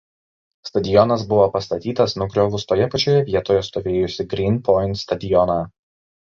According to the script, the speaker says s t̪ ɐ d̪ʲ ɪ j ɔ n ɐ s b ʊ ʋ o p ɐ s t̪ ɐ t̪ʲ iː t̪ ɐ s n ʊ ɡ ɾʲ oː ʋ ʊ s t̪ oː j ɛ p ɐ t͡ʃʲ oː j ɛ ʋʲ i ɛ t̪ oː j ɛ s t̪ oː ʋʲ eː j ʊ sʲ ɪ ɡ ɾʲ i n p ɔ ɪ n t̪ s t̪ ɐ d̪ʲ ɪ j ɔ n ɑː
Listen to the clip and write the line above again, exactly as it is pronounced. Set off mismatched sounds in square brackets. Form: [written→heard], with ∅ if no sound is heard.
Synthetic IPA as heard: s t̪ ɐ d̪ʲ ɪ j ɔ n ɐ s b ʊ ʋ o p ɐ s t̪ ɐ t̪ʲ iː t̪ ɐ s n ʊ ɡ ɾʲ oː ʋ ʊ s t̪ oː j ɛ p ɐ t͡ʃʲ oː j ɛ ʋʲ i ɛ t̪ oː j ɛ s t̪ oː ʋʲ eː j ʊ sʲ ɪ ɡ ɾʲ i n p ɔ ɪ n t̪ s t̪ ɐ d̪ʲ ɪ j ɔ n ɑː